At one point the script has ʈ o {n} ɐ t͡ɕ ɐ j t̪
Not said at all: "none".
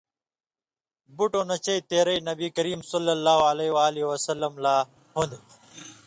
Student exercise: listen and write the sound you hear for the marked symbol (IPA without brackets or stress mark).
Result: n